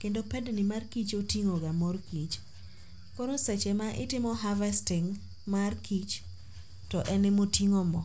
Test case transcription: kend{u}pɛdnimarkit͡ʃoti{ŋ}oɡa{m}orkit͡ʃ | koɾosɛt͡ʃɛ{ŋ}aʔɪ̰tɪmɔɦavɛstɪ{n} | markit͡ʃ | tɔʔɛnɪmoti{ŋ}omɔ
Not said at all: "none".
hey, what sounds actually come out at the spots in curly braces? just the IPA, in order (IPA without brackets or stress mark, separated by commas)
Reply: o, ŋ, m, m, ŋ, ŋ